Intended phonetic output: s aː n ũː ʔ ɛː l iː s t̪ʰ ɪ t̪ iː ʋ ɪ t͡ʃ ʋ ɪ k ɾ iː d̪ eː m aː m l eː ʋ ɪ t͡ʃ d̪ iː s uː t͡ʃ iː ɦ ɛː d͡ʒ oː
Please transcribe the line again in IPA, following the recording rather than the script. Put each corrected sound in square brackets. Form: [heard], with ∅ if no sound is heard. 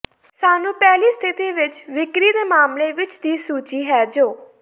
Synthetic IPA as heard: s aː n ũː [p] ɛː l iː s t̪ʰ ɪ t̪ iː ʋ ɪ t͡ʃ ʋ ɪ k ɾ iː d̪ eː m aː m l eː ʋ ɪ t͡ʃ d̪ iː s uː t͡ʃ iː ɦ ɛː d͡ʒ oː